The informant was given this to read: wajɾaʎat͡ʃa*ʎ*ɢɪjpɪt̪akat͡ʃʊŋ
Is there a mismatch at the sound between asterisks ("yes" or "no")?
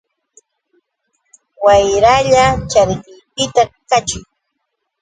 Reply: yes